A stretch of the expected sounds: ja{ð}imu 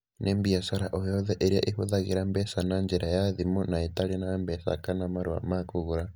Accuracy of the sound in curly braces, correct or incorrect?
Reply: correct